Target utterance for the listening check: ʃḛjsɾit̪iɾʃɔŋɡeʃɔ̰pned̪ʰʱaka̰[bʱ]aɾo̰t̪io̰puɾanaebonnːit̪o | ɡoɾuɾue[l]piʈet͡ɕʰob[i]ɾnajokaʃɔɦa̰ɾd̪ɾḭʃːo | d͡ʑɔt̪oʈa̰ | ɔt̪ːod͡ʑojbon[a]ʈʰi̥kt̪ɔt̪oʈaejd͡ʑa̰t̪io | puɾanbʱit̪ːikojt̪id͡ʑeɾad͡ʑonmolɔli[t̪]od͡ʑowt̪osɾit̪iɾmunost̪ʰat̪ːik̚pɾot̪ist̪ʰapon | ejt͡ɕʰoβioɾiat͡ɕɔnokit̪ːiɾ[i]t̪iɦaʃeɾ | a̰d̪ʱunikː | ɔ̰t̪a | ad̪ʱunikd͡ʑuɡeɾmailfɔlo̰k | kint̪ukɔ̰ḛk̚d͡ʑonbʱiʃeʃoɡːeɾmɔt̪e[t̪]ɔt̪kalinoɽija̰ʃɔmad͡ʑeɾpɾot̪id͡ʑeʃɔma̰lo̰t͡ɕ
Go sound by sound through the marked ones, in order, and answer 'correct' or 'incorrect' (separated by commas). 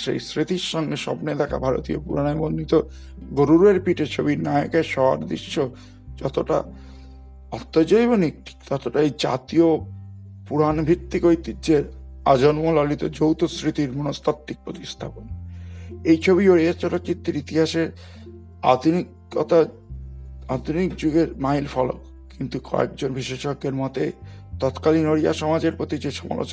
correct, incorrect, correct, incorrect, correct, correct, correct